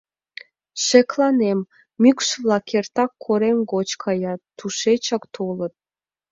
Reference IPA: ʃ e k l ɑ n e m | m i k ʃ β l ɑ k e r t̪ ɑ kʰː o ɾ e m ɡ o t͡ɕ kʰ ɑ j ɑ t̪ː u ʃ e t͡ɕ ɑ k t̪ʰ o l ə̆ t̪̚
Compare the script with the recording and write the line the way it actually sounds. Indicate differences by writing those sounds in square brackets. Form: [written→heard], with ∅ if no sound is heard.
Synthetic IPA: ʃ e k l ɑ n e m | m [i→y] k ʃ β l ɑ k e r t̪ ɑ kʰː o ɾ e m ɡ o t͡ɕ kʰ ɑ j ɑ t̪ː u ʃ e t͡ɕ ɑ k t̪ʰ o l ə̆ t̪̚

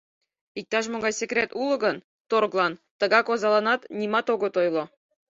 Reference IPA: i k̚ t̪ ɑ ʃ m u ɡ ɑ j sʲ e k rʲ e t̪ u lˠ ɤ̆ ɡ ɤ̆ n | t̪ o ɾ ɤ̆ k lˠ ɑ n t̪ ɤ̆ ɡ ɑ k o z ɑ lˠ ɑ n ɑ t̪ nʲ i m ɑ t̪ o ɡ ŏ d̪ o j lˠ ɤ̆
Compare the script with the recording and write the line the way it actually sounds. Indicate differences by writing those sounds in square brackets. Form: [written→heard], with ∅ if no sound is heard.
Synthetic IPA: i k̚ t̪ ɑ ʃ m [u→o] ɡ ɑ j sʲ e k rʲ e t̪ u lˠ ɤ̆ ɡ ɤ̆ n | t̪ o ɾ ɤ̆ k lˠ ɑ n t̪ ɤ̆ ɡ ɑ k o z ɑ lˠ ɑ n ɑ t̪ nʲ i m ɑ t̪ o ɡ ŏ [d̪→t̪] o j lˠ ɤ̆

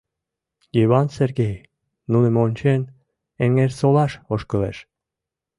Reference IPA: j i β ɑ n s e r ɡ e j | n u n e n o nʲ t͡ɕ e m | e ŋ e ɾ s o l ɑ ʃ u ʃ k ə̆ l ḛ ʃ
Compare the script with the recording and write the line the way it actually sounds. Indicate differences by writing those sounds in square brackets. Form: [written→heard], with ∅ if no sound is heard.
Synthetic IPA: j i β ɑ n s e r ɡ e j | n u n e [n→m] o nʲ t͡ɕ e [m→n] | e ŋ e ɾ s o l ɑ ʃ [u→o] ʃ k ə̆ l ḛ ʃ

